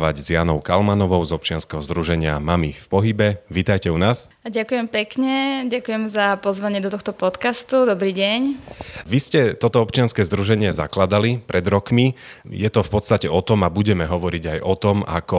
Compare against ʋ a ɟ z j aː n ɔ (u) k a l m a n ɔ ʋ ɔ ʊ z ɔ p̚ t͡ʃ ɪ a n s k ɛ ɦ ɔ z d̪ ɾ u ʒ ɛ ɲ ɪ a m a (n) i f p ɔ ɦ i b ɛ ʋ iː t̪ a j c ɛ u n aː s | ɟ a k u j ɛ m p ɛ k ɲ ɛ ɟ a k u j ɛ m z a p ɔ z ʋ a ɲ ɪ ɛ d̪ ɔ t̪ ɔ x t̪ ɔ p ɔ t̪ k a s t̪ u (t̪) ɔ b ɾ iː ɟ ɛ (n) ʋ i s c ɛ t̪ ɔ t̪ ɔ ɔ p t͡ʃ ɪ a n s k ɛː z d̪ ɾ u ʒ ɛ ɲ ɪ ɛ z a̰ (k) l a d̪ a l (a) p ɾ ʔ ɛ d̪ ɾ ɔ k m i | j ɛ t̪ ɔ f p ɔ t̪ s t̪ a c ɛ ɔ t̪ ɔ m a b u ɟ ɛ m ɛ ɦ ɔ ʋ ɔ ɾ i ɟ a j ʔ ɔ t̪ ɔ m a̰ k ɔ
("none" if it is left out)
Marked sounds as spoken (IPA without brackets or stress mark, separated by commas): ʊ, m, d̪, ɲ, k, i